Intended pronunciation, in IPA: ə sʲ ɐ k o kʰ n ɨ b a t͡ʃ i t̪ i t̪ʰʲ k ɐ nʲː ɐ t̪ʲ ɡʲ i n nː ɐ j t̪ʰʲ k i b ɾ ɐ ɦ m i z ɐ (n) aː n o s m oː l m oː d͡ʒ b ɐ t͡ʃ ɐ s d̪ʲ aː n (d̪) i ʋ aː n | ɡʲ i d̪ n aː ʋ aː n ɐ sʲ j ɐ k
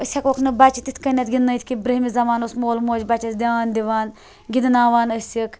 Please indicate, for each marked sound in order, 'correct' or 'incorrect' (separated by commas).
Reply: incorrect, correct